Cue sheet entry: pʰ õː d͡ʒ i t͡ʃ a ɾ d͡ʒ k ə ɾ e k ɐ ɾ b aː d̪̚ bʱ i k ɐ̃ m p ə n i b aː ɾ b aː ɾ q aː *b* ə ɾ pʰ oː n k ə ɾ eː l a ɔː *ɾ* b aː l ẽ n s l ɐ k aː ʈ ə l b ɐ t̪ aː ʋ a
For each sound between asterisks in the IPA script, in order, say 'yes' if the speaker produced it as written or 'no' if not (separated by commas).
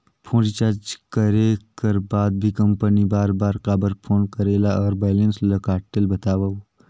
yes, yes